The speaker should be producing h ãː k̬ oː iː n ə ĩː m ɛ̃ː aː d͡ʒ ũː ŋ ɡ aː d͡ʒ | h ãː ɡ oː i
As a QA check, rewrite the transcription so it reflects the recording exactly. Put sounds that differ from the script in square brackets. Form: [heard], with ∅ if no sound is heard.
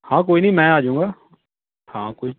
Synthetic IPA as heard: h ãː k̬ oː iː n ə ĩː m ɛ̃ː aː d͡ʒ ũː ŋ ɡ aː [∅] | h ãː [k] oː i